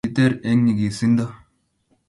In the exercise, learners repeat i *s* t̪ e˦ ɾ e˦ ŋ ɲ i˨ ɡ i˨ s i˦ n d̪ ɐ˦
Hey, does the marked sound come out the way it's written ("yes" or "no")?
no